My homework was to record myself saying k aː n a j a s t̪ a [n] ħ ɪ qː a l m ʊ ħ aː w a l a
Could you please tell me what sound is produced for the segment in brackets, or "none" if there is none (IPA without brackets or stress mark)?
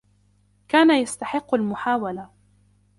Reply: none